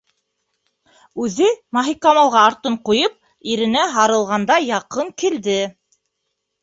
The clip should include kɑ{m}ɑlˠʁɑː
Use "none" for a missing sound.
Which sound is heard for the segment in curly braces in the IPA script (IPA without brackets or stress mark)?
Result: m